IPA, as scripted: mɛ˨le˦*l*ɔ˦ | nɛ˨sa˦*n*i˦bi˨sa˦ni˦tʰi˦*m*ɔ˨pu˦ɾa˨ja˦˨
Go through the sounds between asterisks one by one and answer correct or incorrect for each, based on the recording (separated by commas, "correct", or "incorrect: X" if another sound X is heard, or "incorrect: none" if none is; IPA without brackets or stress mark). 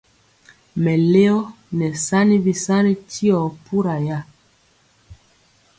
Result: incorrect: none, correct, incorrect: none